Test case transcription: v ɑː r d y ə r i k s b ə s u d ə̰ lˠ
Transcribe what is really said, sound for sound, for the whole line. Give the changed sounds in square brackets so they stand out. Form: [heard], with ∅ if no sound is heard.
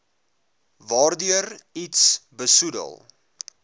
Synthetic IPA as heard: v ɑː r d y ə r i [t] s b ə s u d ə̰ lˠ